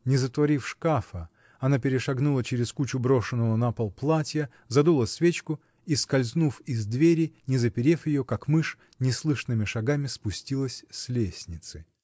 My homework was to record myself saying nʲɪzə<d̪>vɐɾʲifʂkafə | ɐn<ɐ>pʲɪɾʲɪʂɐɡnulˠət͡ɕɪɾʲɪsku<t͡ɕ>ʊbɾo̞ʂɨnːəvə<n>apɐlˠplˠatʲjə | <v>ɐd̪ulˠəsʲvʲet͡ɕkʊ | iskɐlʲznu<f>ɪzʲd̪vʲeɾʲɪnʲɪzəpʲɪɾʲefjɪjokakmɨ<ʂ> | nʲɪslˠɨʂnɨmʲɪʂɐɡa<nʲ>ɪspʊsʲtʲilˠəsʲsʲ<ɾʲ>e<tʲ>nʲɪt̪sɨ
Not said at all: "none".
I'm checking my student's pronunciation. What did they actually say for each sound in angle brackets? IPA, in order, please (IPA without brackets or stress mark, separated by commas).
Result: t̪, a, t͡ɕ, n, z, f, ʂ, mʲ, lʲ, sʲ